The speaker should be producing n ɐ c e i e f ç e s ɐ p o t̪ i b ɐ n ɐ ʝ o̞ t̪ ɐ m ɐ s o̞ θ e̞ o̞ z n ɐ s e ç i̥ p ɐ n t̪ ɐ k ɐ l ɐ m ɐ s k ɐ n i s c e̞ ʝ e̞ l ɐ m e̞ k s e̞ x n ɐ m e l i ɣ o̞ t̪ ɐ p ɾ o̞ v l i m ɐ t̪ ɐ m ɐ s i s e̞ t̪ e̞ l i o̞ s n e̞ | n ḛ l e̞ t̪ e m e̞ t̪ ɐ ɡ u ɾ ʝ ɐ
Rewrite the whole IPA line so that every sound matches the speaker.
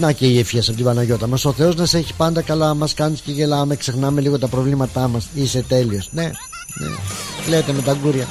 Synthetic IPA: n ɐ c e i e f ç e s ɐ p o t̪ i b ɐ n ɐ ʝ o̞ t̪ ɐ m ɐ s o̞ θ e̞ o̞ z n ɐ s e ç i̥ p ɐ n d̪ ɐ k ɐ l ɐ m ɐ s k ɐ n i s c e̞ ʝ e̞ l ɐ m e̞ k s e̞ x n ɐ m e l i ɣ o̞ t̪ ɐ p ɾ o̞ v l i m ɐ t̪ ɐ m ɐ s i s e̞ t̪ e̞ l i o̞ s n e̞ | n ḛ l e̞ t̪ e m e̞ t̪ ɐ ɡ u ɾ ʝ ɐ